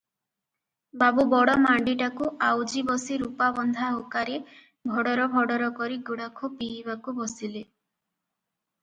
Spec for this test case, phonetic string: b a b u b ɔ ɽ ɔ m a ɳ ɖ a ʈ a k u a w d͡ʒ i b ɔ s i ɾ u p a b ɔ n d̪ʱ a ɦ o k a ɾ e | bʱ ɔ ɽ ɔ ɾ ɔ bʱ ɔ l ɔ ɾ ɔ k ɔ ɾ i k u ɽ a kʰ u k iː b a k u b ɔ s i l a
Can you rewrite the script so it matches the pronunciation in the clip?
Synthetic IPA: b a b u b ɔ ɽ ɔ m a ɳ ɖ i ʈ a k u a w d͡ʒ i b ɔ s i ɾ u p a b ɔ n d̪ʱ a ɦ o k a ɾ e | bʱ ɔ ɽ ɔ ɾ ɔ bʱ ɔ ɽ ɔ ɾ ɔ k ɔ ɾ i ɡ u ɽ a kʰ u p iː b a k u b ɔ s i l e

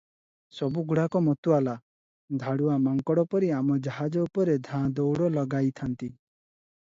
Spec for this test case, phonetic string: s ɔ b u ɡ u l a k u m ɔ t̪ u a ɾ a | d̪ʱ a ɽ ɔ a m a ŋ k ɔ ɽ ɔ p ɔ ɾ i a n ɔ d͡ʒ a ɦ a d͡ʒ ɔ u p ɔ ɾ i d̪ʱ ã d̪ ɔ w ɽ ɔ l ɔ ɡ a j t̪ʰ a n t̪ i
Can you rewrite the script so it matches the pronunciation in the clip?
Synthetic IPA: s ɔ b u ɡ u ɽ a k ɔ m ɔ t̪ u a l a | d̪ʱ a ɽ u a m a ŋ k ɔ ɽ ɔ p ɔ ɾ i a m ɔ d͡ʒ a ɦ a d͡ʒ ɔ u p ɔ ɾ e d̪ʱ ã d̪ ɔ w ɽ ɔ l ɔ ɡ a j t̪ʰ a n t̪ i

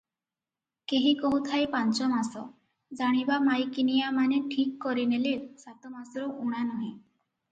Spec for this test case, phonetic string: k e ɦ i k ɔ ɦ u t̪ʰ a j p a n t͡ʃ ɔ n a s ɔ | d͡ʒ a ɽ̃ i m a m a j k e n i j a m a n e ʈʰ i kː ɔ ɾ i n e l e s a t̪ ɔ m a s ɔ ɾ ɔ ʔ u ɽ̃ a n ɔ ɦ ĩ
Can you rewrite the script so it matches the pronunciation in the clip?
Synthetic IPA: k e ɦ i k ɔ ɦ u t̪ʰ a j p a n t͡ʃ ɔ m a s ɔ | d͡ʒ a ɽ̃ i b a m a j k i n i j a m a n e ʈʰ i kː ɔ ɾ i n e l e s a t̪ ɔ m a s ɔ ɾ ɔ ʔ u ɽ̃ a n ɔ ɦ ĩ

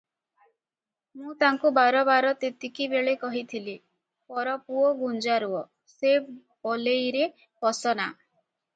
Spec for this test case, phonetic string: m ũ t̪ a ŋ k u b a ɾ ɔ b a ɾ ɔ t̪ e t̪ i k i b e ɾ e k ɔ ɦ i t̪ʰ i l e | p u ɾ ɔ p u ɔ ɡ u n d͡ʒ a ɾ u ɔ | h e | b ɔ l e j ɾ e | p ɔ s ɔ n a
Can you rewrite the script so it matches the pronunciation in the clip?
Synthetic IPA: m ũ t̪ a ŋ k u b a ɾ ɔ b a ɾ ɔ t̪ e t̪ i k i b e ɭ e k ɔ ɦ i t̪ʰ i l i | p ɔ ɾ ɔ p u ɔ ɡ u n d͡ʒ a ɾ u ɔ | s e | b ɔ l e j ɾ e | p ɔ s ɔ n a

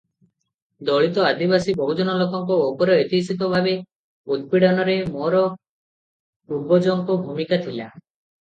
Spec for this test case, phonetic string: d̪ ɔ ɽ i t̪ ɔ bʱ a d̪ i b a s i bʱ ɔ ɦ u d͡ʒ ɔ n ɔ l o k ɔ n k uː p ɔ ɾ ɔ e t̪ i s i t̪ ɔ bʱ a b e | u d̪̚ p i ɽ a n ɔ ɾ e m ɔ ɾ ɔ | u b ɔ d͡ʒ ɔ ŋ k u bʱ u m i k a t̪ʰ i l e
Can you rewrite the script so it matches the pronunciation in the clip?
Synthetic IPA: d̪ ɔ ɭ i t̪ ɔ a d̪ i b a s i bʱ ɔ ɦ u d͡ʒ ɔ n ɔ l o k ɔ ŋ k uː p ɔ ɾ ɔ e t̪ i s i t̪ ɔ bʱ a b e | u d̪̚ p i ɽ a n ɔ ɾ e m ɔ ɾ ɔ | u b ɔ d͡ʒ ɔ ŋ k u bʱ u m i k a t̪ʰ i l a

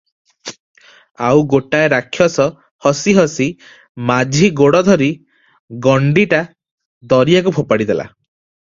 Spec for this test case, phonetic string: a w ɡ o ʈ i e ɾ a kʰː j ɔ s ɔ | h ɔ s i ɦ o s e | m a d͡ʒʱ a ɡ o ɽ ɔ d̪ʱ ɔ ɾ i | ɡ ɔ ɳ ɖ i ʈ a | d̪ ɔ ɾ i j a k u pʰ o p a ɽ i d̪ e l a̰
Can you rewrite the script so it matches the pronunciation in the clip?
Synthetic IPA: a w ɡ o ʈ a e ɾ a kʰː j ɔ s ɔ | h ɔ s i ɦ ɔ s i | m a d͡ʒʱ i ɡ o ɽ ɔ d̪ʱ ɔ ɾ i | ɡ ɔ ɳ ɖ i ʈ a | d̪ ɔ ɾ i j a k u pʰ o p a ɽ i d̪ e l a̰

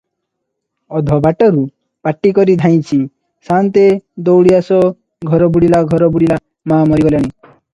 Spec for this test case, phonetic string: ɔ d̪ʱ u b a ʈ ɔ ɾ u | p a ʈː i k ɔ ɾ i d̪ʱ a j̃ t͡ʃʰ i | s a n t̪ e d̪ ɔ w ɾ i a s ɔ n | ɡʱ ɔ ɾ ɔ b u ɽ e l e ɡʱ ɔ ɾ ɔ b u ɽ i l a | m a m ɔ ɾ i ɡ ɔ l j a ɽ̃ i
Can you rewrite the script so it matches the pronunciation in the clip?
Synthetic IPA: ɔ d̪ʱ ɔ b a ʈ ɔ ɾ u | p a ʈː i k ɔ ɾ i d̪ʱ a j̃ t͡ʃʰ i | s a n t̪ e d̪ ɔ w ɽ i a s ɔ | ɡʱ ɔ ɾ ɔ b u ɽ i l a ɡʱ ɔ ɾ ɔ b u ɽ i l a | m a m ɔ ɾ i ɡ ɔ l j a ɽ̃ i

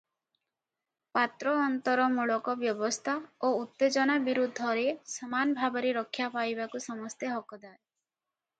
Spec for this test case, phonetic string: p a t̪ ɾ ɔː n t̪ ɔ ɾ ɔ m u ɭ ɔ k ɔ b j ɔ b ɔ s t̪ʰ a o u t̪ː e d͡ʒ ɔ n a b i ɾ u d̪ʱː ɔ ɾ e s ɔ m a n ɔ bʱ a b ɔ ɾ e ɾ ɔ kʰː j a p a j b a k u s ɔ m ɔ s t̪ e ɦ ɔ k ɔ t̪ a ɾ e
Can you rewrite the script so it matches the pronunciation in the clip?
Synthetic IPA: p a t̪ ɾ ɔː n t̪ ɔ ɾ ɔ m u ɭ ɔ k ɔ b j ɔ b ɔ s t̪ʰ a o u t̪ː e d͡ʒ ɔ n a b i ɾ u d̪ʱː ɔ ɾ e s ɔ m a n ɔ bʱ a b ɔ ɾ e ɾ ɔ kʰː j a p a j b a k u s ɔ m ɔ s t̪ e ɦ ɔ k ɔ d̪ a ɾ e

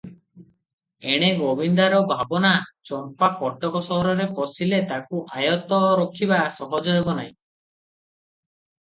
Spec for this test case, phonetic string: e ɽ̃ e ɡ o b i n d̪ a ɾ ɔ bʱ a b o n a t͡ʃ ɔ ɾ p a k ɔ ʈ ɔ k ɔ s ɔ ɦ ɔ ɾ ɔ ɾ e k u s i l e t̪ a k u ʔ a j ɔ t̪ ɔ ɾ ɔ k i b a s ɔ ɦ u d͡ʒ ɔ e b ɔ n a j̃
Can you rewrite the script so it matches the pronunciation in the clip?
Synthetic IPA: e ɽ̃ e ɡ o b i n d̪ a ɾ ɔ bʱ a b ɔ n a t͡ʃ ɔ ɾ p a k ɔ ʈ ɔ k ɔ s ɔ ɦ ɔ ɾ ɔ ɾ e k ɔ s i l e t̪ a k u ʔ a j ɔ t̪ ɔ ɾ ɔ kʰ i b a s ɔ ɦ ɔ d͡ʒ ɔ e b ɔ n a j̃

